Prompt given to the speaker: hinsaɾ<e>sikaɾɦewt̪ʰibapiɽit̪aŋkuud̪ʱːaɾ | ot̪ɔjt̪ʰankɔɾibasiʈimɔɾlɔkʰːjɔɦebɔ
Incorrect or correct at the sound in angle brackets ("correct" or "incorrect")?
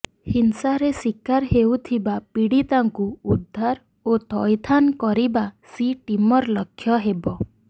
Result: correct